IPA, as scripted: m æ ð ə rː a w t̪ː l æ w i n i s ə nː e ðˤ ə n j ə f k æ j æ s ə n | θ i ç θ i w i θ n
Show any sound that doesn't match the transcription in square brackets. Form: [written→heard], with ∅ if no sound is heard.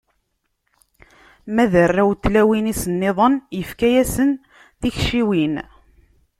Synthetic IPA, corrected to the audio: m æ ð ə rː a w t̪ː l æ w i n i s ə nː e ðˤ ə n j ə f k æ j æ s ə n | θ i ç [θ→ʃ] i w i [θ→∅] n